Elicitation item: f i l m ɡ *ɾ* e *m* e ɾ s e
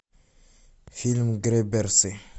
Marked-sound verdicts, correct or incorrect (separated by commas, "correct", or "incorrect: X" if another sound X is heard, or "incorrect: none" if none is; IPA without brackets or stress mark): correct, incorrect: b